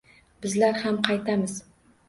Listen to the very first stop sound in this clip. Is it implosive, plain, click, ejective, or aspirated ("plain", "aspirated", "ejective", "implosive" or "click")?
plain